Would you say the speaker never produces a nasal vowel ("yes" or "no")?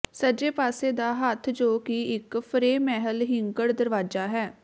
yes